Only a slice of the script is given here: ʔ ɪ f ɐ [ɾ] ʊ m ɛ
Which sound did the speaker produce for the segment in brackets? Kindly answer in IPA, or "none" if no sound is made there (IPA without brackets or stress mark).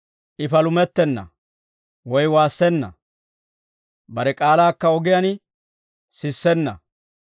l